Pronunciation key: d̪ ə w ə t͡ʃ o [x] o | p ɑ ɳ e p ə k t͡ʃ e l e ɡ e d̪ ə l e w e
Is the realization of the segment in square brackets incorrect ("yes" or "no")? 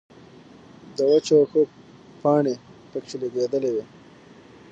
no